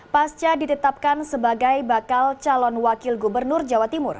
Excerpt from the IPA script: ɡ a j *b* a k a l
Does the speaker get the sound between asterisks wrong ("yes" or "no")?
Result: no